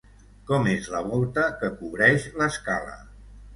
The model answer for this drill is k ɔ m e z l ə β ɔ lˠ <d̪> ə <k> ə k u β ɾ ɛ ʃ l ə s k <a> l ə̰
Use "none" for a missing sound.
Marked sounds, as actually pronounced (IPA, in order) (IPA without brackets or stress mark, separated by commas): t̪, k, a